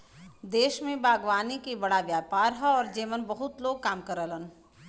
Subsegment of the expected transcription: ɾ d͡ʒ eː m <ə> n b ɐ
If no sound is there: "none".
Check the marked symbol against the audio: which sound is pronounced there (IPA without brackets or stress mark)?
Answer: ə